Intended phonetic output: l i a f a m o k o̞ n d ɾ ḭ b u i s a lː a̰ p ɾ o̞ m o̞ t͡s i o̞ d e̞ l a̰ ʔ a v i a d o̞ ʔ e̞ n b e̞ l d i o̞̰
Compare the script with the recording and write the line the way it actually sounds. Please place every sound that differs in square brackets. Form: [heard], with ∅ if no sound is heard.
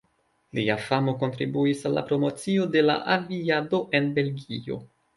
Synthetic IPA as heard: l i a f a m o k o̞ n [t] ɾ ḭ b u i s a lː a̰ p ɾ o̞ m o̞ t͡s i o̞ d e̞ l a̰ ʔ a v i a d o̞ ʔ e̞ n b e̞ l [ɡ] i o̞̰

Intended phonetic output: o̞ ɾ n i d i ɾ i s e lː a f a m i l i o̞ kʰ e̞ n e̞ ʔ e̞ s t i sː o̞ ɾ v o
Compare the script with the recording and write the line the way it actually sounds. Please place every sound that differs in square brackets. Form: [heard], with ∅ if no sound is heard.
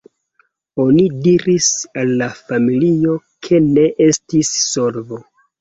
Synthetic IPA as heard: o̞ [∅] n i d i ɾ i s [a] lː a f a m i l i o̞ kʰ e̞ n e̞ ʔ e̞ s t i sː o̞ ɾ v o

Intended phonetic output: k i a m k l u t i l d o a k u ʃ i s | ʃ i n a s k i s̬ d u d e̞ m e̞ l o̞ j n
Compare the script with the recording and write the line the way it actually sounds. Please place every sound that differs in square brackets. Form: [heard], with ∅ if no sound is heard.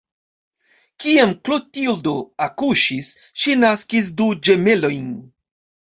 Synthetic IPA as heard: k i a m k l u t i l d o a k u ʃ i s | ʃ i n a s k i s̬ d u [d͡ʒ] e̞ m e̞ l o̞ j n

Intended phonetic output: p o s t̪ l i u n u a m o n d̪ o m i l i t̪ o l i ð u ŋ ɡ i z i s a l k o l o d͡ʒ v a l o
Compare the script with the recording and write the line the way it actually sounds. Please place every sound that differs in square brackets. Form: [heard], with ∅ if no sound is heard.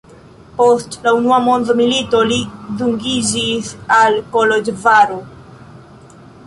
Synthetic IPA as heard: p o s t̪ l [a] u n u a m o n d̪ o m i l i t̪ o l i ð u ŋ ɡ i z i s a l k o l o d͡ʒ v a [ɾ] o

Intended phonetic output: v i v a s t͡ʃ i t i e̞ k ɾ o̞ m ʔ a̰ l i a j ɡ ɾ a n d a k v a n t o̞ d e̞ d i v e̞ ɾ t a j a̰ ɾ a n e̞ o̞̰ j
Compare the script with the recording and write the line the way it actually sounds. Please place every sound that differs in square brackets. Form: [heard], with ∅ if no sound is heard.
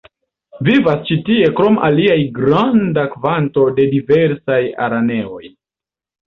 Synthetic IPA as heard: v i v a s t͡ʃ i t i e̞ k ɾ o̞ m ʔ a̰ l i a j ɡ ɾ a n d a k v a n t o̞ d e̞ d i v e̞ ɾ [s] a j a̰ ɾ a n e̞ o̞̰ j

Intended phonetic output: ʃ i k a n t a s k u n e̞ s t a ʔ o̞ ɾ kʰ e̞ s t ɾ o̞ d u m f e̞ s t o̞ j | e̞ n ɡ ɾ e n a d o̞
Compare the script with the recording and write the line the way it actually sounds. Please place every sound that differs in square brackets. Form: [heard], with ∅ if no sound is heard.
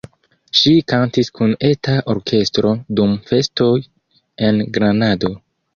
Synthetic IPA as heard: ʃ i k a n t [i] s k u n e̞ [∅] t a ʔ o̞ ɾ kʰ e̞ s t ɾ o̞ d u m f e̞ s t o̞ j | e̞ n ɡ ɾ [a] n a d o̞

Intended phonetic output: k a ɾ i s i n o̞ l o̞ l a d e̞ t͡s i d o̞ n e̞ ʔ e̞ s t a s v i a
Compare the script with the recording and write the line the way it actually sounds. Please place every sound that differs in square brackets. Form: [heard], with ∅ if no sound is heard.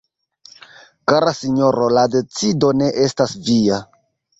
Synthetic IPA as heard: k a ɾ [a] s i [ɲ] o̞ [ɾ] o̞ l a d e̞ t͡s i d o̞ n e̞ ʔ e̞ s t a s v i a

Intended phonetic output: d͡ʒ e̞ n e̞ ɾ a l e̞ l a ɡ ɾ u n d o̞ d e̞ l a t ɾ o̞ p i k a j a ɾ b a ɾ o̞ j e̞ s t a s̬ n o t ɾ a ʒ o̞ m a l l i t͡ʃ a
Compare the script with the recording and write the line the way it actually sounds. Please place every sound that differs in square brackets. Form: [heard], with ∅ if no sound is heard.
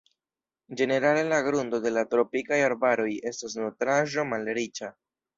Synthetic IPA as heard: d͡ʒ e̞ n e̞ ɾ a l e̞ l a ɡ ɾ u n d o̞ d e̞ l a t ɾ o̞ p i k a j a ɾ b a ɾ o̞ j e̞ s t a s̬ n o t ɾ a ʒ o̞ m a l [ɾ] i t͡ʃ a

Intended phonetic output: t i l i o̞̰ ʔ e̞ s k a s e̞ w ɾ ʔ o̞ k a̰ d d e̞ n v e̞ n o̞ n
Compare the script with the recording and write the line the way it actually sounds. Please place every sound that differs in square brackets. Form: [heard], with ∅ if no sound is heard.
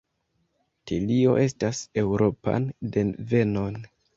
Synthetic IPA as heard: t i l i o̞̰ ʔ e̞ s [t] a s e̞ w ɾ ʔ o̞ [p] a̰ [n] d e̞ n v e̞ n o̞ n

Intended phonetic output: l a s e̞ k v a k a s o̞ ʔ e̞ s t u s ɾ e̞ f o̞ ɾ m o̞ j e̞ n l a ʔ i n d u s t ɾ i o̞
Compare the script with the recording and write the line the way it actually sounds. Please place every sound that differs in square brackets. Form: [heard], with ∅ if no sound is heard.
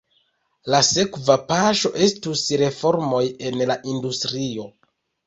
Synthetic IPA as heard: l a s e̞ k v a [p] a [ʃ] o̞ ʔ e̞ s t u s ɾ e̞ f o̞ ɾ m o̞ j e̞ n l a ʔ i n d u s t ɾ i o̞

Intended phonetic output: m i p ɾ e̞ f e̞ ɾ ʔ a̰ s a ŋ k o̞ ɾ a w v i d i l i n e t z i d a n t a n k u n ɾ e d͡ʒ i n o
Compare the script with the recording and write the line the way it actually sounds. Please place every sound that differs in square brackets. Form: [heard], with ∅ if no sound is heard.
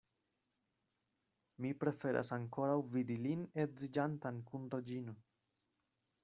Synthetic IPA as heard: m i p ɾ e̞ f e̞ ɾ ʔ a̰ s a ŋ k o̞ ɾ a w v i d i l i n e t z i [d͡ʒ] a n t a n k u n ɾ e d͡ʒ i n o

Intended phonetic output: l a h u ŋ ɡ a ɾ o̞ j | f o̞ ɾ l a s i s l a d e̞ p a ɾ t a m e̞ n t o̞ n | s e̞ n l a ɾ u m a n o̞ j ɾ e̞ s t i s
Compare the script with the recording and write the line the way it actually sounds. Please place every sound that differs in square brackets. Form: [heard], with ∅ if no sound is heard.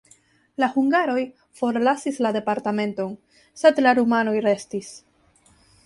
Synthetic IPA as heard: l a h u ŋ ɡ a ɾ o̞ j | f o̞ ɾ l a s i s l a d e̞ p a ɾ t a m e̞ n t o̞ n | s e̞ [d] l a ɾ u m a n o̞ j ɾ e̞ s t i s

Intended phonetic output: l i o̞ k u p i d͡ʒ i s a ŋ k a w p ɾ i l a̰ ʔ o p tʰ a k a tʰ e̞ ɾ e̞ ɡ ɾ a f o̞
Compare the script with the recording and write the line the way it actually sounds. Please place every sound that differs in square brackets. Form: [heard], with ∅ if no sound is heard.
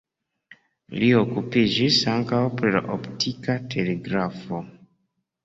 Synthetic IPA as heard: l i o̞ k u p i d͡ʒ i s a ŋ k a w p ɾ i l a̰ ʔ o p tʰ [i] k a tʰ e̞ [l] e̞ ɡ ɾ a f o̞

